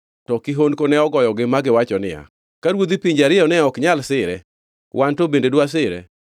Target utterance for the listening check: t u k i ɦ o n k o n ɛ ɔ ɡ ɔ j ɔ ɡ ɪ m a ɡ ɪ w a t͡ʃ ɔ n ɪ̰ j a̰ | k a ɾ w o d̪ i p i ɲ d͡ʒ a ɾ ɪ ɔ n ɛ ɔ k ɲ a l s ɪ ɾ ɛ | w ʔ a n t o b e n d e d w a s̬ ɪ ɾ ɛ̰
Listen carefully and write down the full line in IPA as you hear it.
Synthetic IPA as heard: t ɔ k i ɦ o n k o n ɛ ɔ ɡ ɔ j ɔ ɡ ɪ m a ɡ ɪ w a t͡ʃ ɔ n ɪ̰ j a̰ | k a ɾ w o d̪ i p i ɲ d͡ʒ a ɾ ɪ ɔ n ɛ ɔ k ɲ a l s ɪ ɾ ɛ | w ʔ a n t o b e n d e d w a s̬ ɪ ɾ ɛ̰